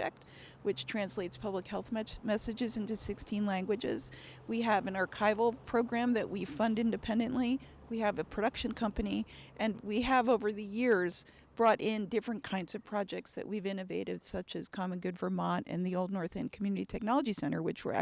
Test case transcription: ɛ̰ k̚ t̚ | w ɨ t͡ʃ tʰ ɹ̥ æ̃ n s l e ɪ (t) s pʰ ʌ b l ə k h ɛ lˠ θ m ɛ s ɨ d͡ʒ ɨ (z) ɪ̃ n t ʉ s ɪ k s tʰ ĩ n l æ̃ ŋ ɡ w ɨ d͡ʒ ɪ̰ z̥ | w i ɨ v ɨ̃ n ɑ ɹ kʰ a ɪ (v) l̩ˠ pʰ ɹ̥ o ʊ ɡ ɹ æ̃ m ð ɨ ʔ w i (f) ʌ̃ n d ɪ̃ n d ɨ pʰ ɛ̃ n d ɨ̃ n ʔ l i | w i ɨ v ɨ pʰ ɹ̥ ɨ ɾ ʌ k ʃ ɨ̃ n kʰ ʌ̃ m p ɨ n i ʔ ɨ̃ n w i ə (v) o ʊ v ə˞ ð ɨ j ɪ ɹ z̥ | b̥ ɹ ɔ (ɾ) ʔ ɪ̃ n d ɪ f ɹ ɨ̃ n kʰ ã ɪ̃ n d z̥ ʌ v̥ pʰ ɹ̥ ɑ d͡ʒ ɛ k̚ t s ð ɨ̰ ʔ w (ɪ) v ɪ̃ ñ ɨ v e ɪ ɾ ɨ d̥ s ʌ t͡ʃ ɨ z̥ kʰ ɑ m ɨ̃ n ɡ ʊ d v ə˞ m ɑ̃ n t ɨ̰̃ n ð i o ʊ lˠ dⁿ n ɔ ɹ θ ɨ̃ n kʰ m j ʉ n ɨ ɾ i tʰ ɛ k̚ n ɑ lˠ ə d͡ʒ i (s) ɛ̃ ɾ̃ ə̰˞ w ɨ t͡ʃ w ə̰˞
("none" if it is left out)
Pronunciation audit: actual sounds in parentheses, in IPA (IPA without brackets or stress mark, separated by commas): t, z, v, f, v, ɾ, i, s